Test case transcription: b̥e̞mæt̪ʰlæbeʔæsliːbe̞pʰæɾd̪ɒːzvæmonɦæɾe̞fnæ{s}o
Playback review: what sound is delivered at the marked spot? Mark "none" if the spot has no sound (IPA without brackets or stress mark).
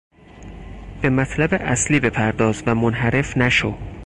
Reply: ʃ